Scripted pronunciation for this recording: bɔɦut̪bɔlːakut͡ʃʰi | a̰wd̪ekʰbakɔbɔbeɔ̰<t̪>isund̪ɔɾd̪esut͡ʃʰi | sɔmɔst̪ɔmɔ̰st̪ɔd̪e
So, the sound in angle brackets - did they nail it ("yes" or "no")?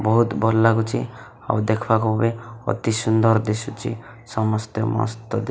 yes